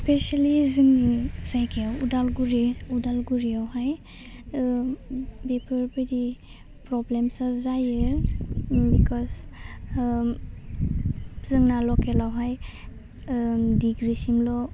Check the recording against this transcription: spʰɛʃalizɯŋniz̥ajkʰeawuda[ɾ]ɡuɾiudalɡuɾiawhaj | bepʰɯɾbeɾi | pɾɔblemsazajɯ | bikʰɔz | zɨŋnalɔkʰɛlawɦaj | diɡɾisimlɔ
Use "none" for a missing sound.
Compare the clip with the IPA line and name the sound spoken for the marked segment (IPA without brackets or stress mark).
l